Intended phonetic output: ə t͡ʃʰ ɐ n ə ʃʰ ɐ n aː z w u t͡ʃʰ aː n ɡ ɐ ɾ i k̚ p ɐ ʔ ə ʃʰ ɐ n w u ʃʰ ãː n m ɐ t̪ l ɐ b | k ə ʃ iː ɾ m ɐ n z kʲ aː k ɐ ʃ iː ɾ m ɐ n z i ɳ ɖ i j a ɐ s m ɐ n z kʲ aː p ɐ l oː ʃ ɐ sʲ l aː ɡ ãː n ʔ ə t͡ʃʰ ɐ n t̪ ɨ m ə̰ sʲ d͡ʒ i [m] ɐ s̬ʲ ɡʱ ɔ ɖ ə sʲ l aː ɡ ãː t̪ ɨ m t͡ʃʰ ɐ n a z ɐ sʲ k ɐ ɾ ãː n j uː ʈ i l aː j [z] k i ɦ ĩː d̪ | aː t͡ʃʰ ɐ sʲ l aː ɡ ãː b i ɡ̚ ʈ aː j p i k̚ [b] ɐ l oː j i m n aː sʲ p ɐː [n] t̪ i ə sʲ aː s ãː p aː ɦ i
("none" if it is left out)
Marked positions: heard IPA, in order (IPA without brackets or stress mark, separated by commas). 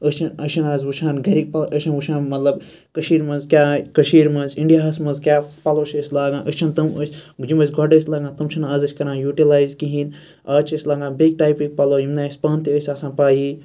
m, z, p, n